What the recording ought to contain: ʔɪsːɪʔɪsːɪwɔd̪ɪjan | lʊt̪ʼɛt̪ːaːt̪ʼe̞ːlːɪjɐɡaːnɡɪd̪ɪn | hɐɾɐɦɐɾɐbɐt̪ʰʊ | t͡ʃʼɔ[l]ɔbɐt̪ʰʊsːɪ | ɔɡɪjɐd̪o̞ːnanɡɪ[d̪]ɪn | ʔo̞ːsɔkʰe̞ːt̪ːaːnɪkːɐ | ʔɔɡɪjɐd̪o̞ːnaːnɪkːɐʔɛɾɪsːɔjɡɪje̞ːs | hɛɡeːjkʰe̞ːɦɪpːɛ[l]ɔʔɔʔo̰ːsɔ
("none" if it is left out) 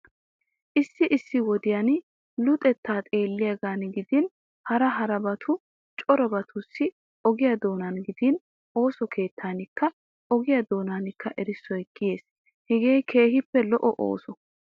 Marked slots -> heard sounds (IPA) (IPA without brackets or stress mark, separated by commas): ɾ, d̪, l